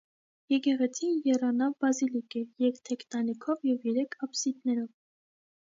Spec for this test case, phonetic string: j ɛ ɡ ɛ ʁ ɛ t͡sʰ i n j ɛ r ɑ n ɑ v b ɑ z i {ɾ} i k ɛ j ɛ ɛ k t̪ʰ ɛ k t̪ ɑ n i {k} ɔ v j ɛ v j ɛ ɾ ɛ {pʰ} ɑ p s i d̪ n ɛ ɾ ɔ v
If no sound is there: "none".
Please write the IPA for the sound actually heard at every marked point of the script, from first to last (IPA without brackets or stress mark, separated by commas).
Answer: l, kʰ, kʰ